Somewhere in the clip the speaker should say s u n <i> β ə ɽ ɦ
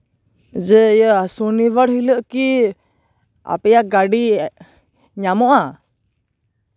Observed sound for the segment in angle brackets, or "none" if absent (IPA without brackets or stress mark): i